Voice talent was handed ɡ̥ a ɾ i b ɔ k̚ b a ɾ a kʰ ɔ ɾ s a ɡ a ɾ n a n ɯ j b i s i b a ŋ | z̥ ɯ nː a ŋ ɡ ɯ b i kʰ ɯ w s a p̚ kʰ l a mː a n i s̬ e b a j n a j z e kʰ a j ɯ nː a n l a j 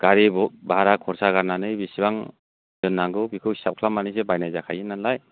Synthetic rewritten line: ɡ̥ a ɾ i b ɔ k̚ b a ɾ a kʰ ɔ ɾ s a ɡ a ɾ n a n ɯ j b i s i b a ŋ | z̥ ɯ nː a ŋ ɡ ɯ b i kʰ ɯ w s a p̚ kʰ l a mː a n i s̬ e b a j n a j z a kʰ a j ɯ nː a n l a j